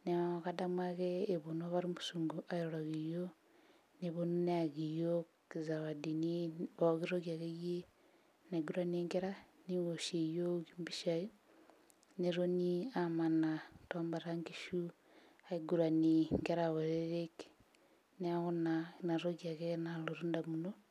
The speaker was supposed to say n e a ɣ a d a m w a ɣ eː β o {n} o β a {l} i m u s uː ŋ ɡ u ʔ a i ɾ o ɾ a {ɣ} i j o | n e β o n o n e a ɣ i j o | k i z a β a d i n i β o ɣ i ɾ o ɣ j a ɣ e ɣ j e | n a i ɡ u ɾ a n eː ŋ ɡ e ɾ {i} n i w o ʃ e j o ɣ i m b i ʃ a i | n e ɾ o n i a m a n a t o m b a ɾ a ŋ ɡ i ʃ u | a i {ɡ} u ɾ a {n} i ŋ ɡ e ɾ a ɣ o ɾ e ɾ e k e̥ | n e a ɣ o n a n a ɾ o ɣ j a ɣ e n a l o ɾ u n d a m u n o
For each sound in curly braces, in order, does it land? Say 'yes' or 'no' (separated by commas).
yes, no, yes, no, yes, yes